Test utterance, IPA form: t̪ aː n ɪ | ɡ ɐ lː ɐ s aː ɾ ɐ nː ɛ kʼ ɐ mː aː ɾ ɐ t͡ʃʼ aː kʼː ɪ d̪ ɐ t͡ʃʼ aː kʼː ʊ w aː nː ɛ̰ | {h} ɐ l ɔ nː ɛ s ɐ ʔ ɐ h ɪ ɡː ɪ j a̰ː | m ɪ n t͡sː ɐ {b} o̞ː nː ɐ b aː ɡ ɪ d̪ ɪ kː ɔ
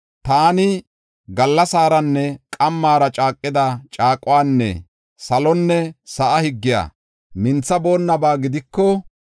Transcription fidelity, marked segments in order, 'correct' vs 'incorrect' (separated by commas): incorrect, correct